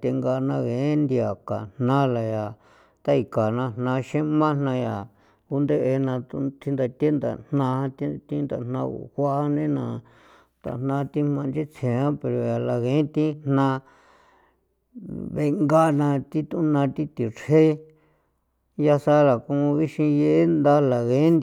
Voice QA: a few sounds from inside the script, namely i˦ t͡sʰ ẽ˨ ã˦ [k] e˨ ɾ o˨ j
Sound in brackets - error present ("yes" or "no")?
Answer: yes